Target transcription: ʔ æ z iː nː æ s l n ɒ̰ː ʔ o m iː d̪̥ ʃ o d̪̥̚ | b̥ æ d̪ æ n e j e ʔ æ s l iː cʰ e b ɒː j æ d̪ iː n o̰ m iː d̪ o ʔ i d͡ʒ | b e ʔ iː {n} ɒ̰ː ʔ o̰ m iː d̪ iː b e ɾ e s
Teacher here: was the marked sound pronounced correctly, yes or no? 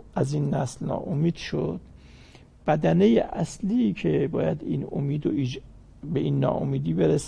no